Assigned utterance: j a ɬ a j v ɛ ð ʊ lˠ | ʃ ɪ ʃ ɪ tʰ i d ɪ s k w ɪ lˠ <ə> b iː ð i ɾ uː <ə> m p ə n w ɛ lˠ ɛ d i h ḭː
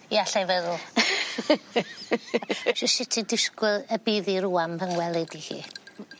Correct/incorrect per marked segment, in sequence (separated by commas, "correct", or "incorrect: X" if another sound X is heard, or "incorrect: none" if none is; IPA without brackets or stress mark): correct, incorrect: a